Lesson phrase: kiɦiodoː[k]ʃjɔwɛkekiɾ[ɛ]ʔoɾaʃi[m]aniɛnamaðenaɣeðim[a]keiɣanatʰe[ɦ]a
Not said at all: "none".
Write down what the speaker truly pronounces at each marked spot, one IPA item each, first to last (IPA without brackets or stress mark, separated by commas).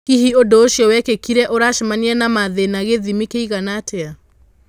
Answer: none, ɛ, m, i, none